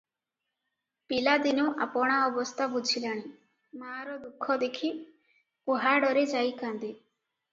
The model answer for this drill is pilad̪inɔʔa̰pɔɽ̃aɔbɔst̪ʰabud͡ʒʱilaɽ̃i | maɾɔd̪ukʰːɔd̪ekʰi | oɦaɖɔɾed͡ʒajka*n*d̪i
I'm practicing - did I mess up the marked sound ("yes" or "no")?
no